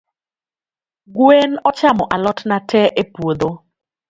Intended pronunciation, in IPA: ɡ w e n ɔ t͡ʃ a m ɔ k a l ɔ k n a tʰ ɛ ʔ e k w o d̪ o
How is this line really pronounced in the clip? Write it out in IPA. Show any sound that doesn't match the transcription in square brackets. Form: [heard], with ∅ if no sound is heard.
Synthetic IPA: ɡ w e n ɔ t͡ʃ a m ɔ [ʔ] a l ɔ [t] n a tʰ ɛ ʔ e [p] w o d̪ o